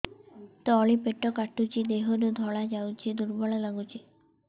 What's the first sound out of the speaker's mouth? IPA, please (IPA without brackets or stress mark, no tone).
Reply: t̪